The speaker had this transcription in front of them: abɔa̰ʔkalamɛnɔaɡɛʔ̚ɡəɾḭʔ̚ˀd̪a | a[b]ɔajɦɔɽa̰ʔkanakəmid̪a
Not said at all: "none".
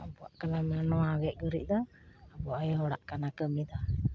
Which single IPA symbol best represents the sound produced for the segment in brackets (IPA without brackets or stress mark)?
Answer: b